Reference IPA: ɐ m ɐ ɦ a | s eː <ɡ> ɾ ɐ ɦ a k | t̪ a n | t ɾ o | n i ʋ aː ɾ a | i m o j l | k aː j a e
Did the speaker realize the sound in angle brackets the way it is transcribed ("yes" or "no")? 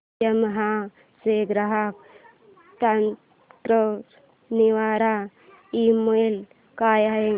yes